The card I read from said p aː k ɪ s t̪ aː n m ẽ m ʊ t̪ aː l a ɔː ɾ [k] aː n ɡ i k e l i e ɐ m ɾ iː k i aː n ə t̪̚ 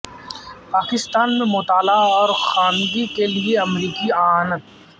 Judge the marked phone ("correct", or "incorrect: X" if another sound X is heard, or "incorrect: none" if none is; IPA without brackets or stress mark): incorrect: x